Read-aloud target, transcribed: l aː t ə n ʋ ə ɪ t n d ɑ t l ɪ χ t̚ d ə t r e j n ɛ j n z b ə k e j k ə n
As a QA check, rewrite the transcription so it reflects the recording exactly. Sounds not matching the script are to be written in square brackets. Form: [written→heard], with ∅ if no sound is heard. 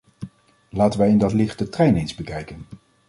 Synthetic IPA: l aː t ə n ʋ ə ɪ [t→∅] n d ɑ t l ɪ χ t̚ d ə t r [e→ɛ] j n [ɛ→e] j n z b ə k [e→ɛ] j k ə n

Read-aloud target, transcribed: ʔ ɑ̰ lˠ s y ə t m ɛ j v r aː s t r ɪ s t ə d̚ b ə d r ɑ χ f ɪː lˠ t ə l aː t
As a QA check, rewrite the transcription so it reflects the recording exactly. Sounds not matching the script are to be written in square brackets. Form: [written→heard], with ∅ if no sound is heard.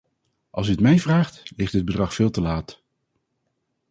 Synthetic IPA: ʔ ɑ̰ lˠ s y ə t m ɛ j v r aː [s→χ] t [r→l] ɪ [s→χ] t ə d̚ b ə d r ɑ χ f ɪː lˠ t ə l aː t

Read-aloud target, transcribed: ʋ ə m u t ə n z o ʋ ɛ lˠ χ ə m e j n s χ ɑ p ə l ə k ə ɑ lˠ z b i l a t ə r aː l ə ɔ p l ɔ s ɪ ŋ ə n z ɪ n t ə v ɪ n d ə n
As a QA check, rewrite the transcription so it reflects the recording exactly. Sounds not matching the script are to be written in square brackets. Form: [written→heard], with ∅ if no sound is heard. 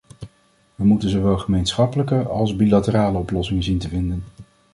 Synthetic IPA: ʋ ə m u t ə n z o ʋ ɛ lˠ χ ə m e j n s χ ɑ p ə l ə k ə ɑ lˠ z b i l a t ə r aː l ə ɔ p l ɔ s ɪ ŋ ə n z [ɪ→i] n t ə v ɪ n d ə n

